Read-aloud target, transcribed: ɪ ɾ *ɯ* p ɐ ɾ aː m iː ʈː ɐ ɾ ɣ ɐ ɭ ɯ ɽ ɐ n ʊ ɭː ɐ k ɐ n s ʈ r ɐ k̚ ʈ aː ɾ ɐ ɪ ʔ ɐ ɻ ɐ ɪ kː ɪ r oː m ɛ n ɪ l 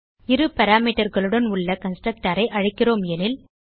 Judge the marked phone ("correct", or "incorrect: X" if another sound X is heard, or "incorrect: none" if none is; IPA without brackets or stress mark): correct